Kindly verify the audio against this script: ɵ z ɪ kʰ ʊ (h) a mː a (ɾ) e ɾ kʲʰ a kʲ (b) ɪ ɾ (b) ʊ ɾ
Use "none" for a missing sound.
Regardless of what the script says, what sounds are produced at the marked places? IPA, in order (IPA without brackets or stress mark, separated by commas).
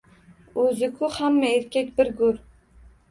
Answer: h, none, b, ɡ